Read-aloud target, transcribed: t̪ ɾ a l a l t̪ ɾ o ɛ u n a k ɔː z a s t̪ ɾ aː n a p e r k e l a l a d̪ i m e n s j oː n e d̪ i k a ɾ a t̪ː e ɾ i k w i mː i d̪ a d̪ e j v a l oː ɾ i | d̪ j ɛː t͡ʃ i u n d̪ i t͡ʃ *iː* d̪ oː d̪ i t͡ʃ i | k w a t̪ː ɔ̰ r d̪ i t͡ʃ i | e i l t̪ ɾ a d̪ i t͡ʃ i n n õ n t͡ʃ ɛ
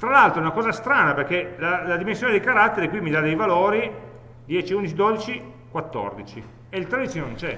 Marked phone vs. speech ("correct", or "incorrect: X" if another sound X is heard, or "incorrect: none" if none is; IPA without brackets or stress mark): incorrect: i